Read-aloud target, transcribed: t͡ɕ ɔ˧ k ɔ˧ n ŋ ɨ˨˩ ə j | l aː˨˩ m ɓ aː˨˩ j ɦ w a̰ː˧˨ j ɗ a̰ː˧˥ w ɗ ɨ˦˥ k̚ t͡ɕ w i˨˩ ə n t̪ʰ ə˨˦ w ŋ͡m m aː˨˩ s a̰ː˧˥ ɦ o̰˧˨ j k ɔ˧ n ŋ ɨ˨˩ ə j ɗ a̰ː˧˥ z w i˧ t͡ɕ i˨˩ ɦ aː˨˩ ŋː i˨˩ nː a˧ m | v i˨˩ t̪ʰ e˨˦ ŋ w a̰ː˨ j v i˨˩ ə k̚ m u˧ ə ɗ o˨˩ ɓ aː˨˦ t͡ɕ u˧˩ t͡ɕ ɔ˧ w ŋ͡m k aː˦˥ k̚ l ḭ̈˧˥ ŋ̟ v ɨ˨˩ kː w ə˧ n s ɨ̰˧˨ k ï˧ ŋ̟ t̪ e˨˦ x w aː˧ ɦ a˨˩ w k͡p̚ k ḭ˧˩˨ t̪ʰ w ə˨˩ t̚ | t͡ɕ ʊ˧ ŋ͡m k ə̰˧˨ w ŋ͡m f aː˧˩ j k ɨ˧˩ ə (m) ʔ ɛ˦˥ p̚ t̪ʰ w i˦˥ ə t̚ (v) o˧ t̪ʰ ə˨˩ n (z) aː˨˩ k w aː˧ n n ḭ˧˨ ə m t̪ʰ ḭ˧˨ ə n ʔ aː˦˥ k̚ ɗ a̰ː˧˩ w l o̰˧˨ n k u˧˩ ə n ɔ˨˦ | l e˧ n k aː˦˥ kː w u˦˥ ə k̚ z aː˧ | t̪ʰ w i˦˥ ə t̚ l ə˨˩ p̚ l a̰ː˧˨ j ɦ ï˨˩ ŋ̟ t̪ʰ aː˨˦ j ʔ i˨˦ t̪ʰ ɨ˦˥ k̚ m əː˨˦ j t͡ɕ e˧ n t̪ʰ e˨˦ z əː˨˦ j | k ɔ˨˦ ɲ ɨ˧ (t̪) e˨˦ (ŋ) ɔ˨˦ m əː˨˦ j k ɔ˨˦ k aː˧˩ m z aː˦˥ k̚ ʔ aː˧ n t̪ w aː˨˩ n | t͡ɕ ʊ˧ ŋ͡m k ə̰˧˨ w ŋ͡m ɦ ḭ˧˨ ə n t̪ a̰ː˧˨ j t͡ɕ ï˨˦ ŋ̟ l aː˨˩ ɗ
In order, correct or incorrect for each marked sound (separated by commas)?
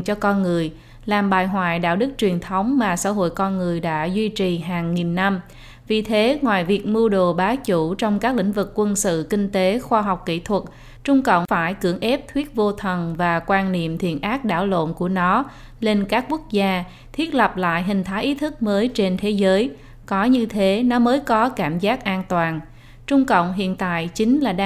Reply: incorrect, correct, incorrect, incorrect, incorrect